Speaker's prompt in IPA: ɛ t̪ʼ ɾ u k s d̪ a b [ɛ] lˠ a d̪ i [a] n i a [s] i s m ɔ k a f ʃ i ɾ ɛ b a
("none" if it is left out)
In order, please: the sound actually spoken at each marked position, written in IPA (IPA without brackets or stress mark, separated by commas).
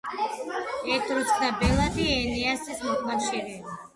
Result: ɛ, ɛ, s